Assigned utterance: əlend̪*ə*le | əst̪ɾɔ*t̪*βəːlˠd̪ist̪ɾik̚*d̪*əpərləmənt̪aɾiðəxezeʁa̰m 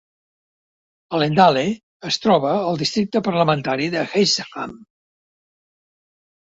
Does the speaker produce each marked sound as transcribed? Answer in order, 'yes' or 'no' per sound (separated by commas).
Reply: no, no, no